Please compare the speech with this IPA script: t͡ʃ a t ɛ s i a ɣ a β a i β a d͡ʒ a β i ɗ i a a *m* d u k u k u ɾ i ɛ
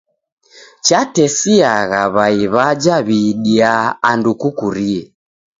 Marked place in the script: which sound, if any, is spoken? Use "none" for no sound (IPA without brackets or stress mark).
n